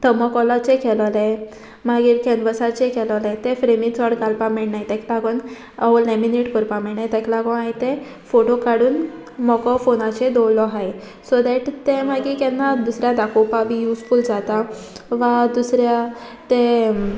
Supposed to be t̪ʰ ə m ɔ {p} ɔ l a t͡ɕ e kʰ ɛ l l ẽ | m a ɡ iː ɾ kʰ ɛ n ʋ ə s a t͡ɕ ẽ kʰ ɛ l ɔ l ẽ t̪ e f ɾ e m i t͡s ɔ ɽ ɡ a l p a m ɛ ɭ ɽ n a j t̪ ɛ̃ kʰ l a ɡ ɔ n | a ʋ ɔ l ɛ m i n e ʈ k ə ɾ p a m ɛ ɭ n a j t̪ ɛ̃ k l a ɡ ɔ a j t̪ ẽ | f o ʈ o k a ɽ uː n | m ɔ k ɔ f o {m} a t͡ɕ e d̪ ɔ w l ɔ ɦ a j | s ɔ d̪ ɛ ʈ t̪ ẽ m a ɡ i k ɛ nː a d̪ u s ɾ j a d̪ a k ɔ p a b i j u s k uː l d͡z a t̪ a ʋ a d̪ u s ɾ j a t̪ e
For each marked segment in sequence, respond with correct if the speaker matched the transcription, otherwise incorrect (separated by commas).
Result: incorrect, incorrect